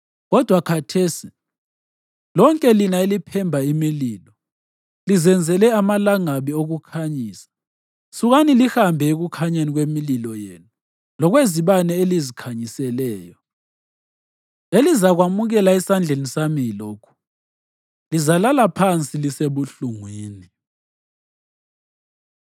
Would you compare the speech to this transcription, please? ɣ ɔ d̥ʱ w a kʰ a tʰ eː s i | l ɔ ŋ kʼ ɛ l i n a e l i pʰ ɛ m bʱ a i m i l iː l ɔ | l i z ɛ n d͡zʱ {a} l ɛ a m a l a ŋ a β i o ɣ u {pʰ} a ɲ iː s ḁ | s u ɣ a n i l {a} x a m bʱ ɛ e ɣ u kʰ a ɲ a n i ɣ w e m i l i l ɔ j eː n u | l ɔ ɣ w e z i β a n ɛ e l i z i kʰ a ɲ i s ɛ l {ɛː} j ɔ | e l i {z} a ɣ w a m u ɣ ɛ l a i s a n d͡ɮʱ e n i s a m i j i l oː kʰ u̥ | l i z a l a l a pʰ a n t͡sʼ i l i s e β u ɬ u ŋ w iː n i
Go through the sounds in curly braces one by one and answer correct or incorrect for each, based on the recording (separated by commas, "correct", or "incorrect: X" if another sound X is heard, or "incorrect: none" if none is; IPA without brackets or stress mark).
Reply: incorrect: ɛ, incorrect: kʰ, incorrect: i, correct, correct